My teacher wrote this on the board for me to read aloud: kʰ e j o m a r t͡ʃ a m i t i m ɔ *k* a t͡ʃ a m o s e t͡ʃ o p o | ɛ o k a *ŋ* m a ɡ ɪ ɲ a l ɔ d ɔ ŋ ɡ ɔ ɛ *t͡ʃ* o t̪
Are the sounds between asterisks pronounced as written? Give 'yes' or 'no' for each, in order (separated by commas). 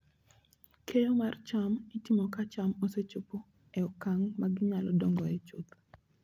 yes, yes, yes